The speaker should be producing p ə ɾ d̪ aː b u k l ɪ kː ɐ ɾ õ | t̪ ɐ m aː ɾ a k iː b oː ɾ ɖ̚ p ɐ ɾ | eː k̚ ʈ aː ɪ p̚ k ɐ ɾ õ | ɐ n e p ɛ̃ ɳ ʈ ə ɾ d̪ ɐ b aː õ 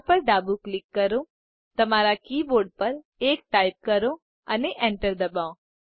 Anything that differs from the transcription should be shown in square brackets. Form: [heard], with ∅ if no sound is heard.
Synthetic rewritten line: p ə ɾ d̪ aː b u k l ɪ kː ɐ ɾ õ | t̪ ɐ m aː ɾ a k iː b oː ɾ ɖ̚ p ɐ ɾ | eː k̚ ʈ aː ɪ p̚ k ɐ ɾ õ | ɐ n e [ʔ] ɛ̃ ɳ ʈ ə ɾ d̪ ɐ b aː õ